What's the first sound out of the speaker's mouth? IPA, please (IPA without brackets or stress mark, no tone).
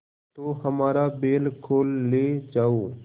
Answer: t̪